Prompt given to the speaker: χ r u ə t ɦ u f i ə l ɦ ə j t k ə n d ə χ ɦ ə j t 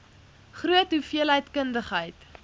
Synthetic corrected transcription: χ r u ə t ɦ u f i ə l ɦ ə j t k ə n d ə χ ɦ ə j t

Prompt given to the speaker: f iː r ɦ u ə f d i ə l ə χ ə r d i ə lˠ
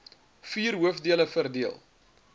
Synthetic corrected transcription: f iː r ɦ u ə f d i ə l ə f ə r d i ə lˠ

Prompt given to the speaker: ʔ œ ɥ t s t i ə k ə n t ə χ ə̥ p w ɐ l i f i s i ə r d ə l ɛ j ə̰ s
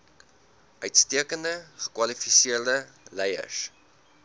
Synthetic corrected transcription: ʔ œ ɥ t s t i ə k ə n d ə χ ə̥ k w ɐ l i f i s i ə r d ə l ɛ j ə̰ s

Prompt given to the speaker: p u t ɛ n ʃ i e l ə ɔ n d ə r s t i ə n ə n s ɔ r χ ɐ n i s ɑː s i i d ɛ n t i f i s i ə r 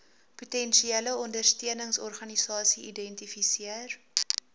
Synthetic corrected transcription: p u t ɛ n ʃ i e l ə ɔ n d ə r s t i ə n ə ŋ s ɔ r χ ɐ n i s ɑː s i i d ɛ n t i f i s i ə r

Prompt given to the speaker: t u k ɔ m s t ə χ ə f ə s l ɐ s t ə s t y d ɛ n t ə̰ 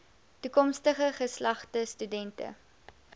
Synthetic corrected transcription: t u k ɔ m s t ə χ ə χ ə s l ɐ χ t ə s t y d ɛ n t ə̰

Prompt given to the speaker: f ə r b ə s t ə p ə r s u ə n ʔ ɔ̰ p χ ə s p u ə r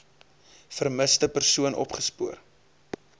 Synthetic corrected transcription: f ə r m ə s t ə p ə r s u ə n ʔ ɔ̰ p χ ə s p u ə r

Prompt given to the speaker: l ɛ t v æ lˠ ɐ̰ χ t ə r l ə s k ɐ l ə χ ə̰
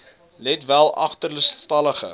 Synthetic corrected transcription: l ɛ t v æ lˠ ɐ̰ χ t ə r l ə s t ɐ l ə χ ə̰

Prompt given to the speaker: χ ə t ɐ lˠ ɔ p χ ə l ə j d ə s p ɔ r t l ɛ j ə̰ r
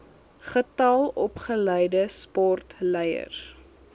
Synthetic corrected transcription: χ ə t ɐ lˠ ɔ p χ ə l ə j d ə s p ɔ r t l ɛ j ə̰ r

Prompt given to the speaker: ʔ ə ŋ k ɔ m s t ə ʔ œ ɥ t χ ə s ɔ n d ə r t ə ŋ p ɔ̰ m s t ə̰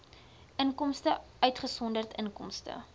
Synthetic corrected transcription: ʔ ə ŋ k ɔ m s t ə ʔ œ ɥ t χ ə s ɔ n d ə r t ə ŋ k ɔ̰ m s t ə̰

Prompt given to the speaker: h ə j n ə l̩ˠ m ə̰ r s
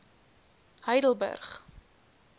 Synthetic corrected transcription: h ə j d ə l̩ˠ b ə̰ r χ

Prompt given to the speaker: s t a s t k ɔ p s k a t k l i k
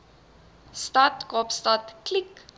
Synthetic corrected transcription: s t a t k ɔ p s t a t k l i k

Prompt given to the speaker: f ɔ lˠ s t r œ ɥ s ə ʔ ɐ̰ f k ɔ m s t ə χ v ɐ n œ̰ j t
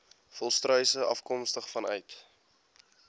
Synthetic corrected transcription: f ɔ lˠ s t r œ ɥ s ə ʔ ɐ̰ f k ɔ m s t ə χ f ɐ n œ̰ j t

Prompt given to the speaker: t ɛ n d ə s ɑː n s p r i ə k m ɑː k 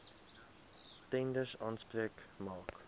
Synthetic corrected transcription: t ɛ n d ə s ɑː n s p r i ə k m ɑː k

